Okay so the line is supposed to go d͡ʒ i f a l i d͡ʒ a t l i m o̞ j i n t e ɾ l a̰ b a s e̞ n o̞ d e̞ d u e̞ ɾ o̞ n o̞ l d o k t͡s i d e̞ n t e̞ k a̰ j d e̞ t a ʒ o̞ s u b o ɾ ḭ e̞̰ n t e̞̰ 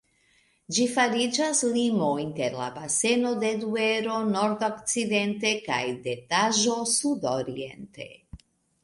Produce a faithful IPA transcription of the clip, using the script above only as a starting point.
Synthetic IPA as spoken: d͡ʒ i f a ɾ i d͡ʒ a s l i m o̞ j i n t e ɾ l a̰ b a s e̞ n o̞ d e̞ d u e̞ ɾ o̞ n o̞ ɾ d o k t͡s i d e̞ n t e̞ k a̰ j d e̞ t a ʒ o̞ s u d o ɾ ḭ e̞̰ n t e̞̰